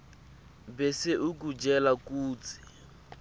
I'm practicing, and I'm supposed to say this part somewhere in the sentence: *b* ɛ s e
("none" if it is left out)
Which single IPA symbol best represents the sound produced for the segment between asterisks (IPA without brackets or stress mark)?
b